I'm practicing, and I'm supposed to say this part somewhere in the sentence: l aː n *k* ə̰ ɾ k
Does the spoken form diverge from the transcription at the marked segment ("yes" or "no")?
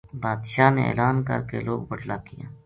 no